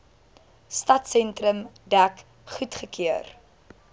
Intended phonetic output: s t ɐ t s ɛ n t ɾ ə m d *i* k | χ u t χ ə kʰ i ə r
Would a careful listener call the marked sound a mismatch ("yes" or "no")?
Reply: yes